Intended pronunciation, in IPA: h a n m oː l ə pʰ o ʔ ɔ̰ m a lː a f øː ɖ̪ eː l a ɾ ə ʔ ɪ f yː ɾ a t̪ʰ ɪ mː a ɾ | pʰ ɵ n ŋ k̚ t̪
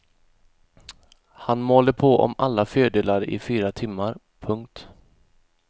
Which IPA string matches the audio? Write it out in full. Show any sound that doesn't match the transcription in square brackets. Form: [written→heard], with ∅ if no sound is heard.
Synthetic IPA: h a n m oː l ə pʰ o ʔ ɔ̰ m a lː a f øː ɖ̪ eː l a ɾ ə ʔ ɪ f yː ɾ a t̪ʰ ɪ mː a ɾ | pʰ ɵ [n→∅] ŋ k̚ t̪